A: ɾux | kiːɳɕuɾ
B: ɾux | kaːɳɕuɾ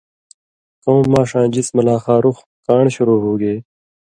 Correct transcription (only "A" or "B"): B